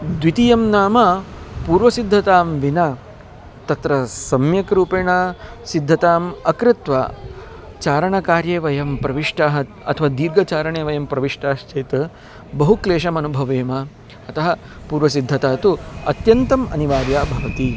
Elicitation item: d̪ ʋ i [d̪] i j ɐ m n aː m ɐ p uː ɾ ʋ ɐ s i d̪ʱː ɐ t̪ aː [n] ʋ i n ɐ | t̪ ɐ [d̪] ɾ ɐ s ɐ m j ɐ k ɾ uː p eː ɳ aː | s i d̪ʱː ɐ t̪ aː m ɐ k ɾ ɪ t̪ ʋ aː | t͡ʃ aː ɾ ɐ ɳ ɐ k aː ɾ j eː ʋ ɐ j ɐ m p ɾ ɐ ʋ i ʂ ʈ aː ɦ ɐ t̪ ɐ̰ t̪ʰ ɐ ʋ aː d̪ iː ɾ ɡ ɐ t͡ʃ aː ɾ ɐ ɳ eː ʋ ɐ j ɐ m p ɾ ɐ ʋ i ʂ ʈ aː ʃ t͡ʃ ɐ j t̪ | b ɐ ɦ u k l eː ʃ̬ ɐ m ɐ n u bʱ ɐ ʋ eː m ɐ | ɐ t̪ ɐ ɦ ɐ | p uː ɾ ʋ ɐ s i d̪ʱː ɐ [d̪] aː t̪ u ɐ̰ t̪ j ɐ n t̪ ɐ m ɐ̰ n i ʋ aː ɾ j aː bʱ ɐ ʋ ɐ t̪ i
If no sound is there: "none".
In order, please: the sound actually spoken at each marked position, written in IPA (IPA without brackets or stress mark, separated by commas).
t̪, m, t̪, t̪